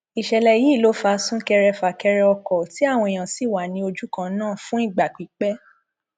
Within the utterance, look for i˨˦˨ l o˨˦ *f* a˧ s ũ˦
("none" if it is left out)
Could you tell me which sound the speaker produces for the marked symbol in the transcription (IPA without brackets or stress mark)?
f